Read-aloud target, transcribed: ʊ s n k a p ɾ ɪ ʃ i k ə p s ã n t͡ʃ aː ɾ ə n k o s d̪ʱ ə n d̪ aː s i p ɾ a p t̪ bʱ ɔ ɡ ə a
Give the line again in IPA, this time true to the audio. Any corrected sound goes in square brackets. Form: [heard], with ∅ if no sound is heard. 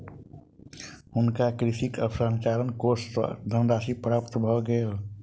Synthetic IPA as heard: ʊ [∅] n k a [k] ɾ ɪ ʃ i k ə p s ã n t͡ʃ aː ɾ ə n k o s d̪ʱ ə n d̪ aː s i p ɾ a p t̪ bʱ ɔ ɡ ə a